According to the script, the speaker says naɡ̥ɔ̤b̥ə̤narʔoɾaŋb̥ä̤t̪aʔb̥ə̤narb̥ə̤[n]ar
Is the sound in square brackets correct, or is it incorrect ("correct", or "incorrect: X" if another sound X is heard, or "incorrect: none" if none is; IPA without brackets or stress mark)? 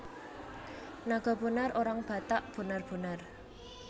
correct